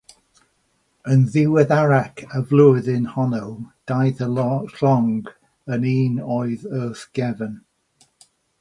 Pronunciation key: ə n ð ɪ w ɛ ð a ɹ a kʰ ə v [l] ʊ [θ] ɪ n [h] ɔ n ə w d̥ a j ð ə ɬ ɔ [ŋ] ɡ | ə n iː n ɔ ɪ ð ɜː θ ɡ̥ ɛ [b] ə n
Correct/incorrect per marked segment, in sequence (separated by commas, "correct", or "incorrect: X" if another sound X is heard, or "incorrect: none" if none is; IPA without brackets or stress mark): correct, incorrect: ð, correct, correct, incorrect: v